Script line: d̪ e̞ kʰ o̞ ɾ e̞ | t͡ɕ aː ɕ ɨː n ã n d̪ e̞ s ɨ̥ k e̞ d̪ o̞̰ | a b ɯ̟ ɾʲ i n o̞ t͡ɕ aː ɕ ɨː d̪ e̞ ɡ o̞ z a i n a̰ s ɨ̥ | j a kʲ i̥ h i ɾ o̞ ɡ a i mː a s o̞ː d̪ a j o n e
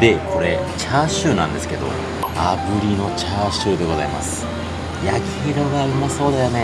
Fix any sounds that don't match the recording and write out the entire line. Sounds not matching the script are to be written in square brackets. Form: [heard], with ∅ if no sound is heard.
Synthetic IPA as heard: d̪ e̞ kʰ o̞ ɾ e̞ | t͡ɕ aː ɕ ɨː n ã n d̪ e̞ s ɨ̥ k e̞ d̪ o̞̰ | a b ɯ̟ ɾʲ i n o̞ t͡ɕ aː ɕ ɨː d̪ e̞ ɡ o̞ z a i [m] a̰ s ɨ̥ | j a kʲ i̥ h i ɾ o̞ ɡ a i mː a s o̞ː d̪ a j o n e